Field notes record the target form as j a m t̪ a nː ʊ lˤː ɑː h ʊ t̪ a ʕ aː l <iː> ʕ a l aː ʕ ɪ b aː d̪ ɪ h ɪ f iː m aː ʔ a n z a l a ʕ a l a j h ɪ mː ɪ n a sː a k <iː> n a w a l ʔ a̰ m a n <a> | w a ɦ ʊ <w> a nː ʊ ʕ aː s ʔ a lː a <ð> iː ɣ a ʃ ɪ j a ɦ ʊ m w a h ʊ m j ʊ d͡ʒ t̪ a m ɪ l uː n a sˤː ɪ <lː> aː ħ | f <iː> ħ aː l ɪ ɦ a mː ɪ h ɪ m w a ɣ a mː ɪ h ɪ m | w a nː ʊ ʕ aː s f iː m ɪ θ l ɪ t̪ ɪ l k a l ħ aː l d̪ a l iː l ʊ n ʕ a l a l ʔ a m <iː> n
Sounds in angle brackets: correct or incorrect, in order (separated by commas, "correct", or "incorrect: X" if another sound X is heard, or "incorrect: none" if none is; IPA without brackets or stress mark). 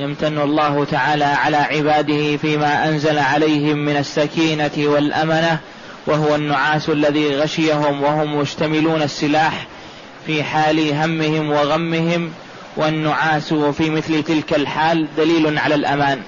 incorrect: aː, correct, correct, correct, correct, incorrect: l, correct, incorrect: aː